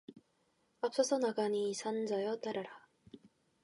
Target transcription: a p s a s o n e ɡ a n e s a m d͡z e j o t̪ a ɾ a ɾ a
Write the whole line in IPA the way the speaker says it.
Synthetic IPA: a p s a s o n a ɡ a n i s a n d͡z a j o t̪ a ɾ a ɾ a